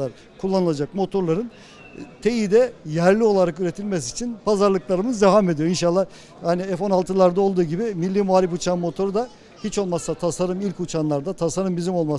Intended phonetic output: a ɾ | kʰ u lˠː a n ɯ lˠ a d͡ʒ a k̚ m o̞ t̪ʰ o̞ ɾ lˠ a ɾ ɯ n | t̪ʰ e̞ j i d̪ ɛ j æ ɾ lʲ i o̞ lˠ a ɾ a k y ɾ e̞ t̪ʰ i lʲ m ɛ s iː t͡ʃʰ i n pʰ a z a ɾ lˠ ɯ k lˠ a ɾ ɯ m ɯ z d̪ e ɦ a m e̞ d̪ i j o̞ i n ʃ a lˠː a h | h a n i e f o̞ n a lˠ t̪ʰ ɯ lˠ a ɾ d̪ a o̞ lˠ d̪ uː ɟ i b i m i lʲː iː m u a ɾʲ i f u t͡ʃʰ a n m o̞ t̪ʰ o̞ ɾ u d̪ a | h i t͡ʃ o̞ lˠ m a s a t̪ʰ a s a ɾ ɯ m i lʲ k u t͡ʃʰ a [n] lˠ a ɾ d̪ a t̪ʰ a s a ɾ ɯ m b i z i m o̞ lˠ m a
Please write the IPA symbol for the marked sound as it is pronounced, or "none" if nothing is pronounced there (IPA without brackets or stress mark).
n